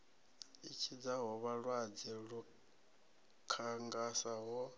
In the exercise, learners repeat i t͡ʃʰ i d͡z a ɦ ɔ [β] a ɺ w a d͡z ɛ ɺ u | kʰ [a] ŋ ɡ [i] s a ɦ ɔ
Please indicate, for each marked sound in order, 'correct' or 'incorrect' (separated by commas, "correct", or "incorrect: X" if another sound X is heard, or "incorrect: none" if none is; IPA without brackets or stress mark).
correct, correct, incorrect: a